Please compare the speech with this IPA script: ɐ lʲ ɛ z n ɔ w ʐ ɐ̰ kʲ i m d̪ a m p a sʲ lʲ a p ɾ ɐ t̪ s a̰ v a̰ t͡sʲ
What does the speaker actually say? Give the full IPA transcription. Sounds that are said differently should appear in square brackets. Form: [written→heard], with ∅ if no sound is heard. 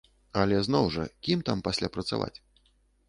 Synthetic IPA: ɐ lʲ ɛ z n ɔ w ʐ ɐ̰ kʲ i m [d̪→t̪] a m p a sʲ lʲ a p ɾ ɐ t̪ s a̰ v a̰ t͡sʲ